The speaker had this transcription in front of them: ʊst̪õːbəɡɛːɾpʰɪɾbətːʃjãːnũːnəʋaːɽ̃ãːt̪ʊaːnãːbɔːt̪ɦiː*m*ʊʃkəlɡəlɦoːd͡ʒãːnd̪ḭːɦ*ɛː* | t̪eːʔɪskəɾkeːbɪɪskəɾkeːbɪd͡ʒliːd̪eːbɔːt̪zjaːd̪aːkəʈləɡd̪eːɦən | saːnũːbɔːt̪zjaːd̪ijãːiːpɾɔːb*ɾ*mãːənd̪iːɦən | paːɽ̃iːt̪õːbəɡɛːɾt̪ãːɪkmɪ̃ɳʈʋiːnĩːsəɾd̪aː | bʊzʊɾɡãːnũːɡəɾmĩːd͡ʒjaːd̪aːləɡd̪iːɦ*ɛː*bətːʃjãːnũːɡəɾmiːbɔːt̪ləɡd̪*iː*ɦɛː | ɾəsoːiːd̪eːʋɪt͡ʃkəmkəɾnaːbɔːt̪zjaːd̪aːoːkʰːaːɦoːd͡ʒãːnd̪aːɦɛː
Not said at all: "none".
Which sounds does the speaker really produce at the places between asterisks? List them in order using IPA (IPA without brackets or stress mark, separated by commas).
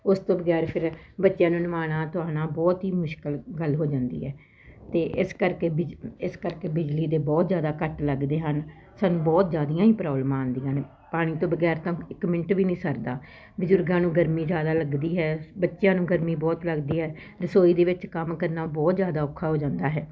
m, ɛː, l, ɛː, iː